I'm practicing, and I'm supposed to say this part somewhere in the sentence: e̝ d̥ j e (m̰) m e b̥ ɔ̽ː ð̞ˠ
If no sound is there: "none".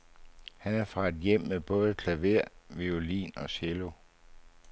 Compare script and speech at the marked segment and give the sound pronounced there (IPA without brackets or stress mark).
m̰